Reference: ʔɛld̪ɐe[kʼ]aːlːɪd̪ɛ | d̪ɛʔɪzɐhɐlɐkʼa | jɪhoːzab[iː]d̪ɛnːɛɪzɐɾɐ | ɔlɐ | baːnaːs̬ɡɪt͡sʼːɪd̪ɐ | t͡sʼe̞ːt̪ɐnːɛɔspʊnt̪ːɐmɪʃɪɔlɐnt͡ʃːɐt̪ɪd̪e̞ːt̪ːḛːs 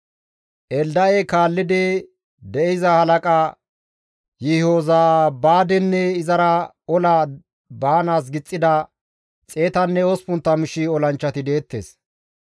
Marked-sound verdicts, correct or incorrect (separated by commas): incorrect, incorrect